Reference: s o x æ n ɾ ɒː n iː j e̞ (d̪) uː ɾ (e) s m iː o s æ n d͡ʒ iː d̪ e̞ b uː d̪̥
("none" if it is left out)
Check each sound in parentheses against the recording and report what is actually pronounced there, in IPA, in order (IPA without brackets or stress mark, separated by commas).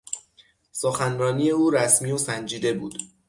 none, æ